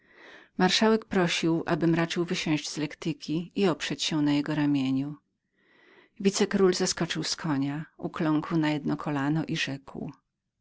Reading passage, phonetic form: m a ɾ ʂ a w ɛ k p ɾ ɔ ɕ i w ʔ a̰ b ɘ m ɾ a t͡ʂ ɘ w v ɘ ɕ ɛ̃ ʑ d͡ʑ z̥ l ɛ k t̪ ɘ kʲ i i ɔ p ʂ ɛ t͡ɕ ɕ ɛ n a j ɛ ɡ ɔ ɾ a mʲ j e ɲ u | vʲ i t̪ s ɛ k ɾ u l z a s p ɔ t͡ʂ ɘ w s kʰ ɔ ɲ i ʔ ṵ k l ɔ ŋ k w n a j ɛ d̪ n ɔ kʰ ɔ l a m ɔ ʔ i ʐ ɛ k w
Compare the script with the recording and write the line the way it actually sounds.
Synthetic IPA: m a ɾ ʂ a w ɛ k p ɾ ɔ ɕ i w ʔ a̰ b ɘ m ɾ a t͡ʂ ɘ w v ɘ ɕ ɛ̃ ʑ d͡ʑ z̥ l ɛ k t̪ ɘ kʲ i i ɔ p ʂ ɛ t͡ɕ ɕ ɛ n a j ɛ ɡ ɔ ɾ a mʲ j e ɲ u | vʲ i t̪ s ɛ k ɾ u l z a s k ɔ t͡ʂ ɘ w s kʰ ɔ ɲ a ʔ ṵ k l ɔ ŋ k w n a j ɛ d̪ n ɔ kʰ ɔ l a n ɔ ʔ i ʐ ɛ k w